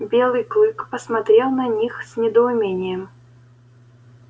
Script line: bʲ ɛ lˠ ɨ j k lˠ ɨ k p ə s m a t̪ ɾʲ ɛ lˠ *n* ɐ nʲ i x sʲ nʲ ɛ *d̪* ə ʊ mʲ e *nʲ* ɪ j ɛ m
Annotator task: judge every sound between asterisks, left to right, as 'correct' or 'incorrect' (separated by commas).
correct, correct, correct